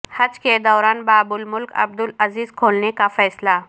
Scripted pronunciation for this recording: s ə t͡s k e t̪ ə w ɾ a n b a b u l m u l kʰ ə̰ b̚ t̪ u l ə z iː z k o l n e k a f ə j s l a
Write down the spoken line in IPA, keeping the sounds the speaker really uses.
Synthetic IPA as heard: h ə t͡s k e d̪ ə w ɾ a n b a b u l m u l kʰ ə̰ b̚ d̪ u l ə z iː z kʰ o l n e k a f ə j s l a